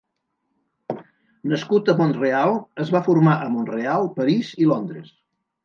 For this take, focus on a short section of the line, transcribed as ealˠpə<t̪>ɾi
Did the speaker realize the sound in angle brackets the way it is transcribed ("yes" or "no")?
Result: no